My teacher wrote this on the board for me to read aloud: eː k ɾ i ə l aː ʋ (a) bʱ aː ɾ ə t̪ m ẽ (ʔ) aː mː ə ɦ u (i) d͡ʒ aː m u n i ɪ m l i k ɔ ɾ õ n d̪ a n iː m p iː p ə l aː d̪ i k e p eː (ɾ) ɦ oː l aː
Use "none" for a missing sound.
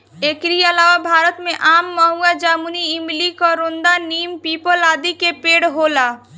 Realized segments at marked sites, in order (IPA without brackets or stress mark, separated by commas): a, ʔ, a, ɽ